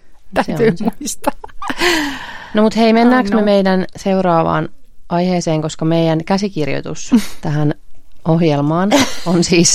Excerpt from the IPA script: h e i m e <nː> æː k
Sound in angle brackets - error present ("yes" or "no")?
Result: no